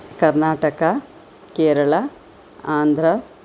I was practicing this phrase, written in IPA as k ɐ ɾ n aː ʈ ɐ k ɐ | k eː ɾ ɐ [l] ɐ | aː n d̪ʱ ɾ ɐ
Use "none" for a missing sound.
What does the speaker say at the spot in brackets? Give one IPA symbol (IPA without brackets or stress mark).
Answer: ɭ